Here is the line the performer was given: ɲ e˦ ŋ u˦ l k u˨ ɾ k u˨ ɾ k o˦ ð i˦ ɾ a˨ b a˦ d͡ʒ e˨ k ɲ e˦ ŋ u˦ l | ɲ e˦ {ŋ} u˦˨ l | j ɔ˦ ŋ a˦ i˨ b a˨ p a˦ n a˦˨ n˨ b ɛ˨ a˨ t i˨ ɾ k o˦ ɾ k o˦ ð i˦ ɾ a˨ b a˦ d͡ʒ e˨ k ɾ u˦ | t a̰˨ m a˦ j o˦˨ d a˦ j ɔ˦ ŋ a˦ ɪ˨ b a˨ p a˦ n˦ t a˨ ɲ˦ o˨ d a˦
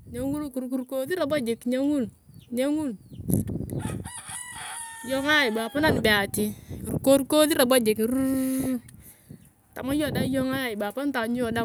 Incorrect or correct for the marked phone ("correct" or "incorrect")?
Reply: correct